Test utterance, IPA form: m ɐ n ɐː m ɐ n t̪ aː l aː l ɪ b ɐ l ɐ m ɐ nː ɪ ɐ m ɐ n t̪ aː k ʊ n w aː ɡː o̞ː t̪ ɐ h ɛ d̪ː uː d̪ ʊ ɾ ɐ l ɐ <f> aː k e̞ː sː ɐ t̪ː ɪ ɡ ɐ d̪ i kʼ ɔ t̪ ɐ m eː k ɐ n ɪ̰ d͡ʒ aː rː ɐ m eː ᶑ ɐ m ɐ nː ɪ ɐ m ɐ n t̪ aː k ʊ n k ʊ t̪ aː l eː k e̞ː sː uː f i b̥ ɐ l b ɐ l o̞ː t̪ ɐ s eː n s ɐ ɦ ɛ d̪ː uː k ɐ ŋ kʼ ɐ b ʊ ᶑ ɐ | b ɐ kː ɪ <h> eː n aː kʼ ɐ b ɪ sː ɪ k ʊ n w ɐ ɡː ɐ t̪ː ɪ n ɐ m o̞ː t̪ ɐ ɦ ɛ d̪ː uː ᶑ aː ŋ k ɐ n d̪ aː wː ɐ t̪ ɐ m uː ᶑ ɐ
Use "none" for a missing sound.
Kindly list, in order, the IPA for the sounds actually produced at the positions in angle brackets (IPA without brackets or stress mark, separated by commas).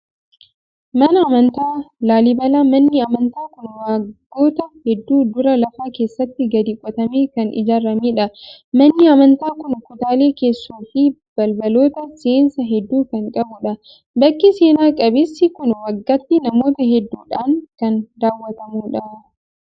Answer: f, s